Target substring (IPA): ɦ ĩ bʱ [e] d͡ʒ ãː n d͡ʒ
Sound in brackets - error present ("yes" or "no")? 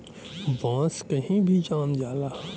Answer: yes